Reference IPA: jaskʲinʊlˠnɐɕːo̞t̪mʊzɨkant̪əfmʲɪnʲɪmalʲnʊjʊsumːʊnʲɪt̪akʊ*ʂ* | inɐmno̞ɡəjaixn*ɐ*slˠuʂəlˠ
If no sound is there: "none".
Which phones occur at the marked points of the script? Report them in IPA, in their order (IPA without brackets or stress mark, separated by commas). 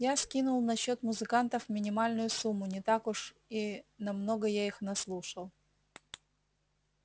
ʂ, ɐ